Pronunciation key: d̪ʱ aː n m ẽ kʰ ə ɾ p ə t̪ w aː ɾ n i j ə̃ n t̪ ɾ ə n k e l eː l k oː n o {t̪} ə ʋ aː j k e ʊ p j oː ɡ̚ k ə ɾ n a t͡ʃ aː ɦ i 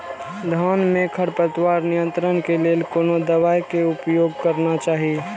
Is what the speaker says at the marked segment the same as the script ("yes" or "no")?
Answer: no